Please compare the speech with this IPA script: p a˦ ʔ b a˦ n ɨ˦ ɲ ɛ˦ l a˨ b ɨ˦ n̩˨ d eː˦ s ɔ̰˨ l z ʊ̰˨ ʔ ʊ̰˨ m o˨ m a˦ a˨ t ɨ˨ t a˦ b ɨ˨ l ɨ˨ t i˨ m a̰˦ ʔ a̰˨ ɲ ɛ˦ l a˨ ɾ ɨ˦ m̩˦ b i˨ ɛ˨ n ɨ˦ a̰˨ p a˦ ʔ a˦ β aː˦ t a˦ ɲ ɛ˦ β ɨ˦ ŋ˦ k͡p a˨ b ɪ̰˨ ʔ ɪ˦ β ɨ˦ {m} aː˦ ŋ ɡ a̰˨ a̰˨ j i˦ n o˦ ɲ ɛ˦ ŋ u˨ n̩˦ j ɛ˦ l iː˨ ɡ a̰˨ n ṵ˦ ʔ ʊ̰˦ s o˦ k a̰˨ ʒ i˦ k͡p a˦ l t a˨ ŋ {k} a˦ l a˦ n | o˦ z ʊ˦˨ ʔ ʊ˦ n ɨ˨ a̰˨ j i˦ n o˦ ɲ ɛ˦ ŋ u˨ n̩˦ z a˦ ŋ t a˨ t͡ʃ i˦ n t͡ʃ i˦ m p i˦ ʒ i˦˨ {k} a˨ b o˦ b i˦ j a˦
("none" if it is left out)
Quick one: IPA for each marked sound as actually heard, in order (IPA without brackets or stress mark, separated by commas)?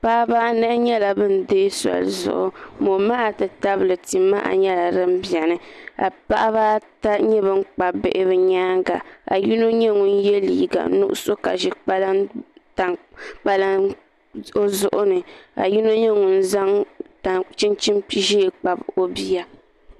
ɲ, k͡p, k͡p